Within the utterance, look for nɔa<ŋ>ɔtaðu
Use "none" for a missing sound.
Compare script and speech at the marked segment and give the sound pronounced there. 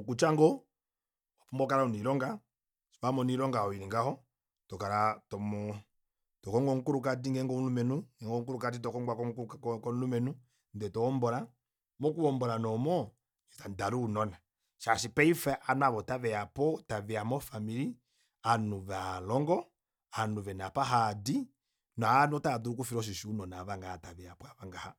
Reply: n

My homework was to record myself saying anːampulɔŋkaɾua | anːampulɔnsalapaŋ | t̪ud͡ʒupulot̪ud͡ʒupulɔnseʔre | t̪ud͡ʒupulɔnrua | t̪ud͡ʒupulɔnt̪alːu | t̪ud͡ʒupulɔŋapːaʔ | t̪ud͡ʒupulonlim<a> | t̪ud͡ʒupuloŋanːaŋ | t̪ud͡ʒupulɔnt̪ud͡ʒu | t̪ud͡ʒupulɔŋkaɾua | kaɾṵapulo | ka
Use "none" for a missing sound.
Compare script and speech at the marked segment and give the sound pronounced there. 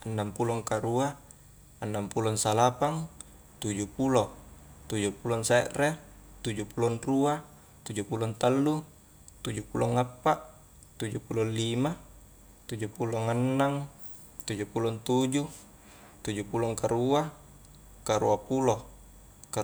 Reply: a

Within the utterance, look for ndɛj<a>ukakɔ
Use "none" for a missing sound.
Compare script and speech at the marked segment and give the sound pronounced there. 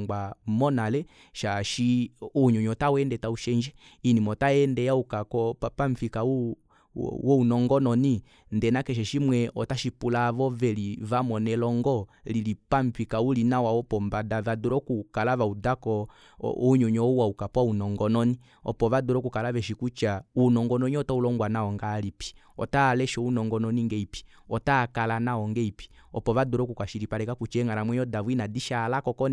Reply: a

